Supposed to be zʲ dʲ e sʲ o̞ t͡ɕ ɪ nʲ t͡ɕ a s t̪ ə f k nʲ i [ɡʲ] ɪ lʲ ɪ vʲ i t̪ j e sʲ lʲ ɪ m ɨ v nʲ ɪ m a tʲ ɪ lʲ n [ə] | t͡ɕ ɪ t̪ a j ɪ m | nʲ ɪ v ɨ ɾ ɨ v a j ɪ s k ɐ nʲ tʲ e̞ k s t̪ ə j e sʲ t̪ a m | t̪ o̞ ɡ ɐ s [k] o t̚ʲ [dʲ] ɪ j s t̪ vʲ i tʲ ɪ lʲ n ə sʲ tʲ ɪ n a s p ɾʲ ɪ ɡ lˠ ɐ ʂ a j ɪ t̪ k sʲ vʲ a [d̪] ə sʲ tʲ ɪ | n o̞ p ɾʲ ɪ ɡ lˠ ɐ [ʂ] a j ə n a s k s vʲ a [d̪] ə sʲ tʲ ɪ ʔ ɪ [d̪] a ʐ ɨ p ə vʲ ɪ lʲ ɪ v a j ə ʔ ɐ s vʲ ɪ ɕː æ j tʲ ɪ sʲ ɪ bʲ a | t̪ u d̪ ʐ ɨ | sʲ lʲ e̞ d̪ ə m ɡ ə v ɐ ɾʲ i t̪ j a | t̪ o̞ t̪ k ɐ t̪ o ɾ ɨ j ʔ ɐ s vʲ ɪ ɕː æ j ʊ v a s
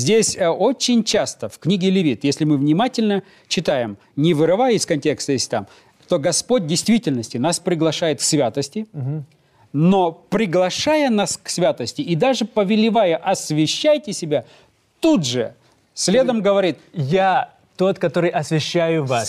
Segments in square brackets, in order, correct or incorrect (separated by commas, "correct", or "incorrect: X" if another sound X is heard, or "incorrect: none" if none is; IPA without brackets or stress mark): correct, correct, incorrect: p, correct, incorrect: t̪, correct, incorrect: t̪, correct